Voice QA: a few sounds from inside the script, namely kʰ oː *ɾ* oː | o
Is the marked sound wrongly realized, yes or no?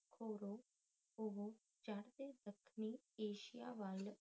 no